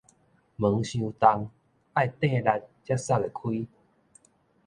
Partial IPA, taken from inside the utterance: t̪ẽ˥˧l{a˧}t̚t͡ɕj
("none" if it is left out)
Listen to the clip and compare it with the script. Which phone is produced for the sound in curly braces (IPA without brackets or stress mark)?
a˧